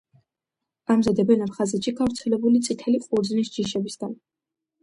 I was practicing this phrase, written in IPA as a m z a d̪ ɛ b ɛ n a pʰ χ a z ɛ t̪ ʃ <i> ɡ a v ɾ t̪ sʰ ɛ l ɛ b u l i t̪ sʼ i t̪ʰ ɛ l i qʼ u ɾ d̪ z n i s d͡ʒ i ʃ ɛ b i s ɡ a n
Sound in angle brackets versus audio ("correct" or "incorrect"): correct